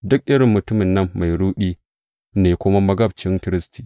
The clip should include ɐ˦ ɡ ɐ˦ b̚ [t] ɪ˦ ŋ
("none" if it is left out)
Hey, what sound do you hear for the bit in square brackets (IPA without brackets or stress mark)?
t͡ʃ